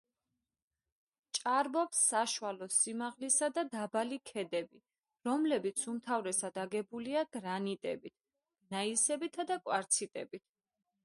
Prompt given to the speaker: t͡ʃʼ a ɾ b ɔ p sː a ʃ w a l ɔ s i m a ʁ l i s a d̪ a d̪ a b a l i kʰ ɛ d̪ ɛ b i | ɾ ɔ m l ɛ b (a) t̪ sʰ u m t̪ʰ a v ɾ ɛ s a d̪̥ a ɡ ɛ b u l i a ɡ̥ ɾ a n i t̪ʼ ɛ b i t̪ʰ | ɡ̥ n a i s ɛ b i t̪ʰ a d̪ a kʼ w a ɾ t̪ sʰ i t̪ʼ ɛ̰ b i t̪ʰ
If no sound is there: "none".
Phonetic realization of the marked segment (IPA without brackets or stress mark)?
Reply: i